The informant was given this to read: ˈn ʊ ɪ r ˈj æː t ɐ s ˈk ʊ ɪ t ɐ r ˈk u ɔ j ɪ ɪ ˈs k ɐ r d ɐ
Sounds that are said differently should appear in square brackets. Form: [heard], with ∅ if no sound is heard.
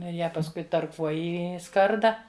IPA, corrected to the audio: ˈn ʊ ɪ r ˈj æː [p] ɐ s ˈk ʊ ɪ t ɐ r ˈk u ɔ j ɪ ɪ ˈs k ɐ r d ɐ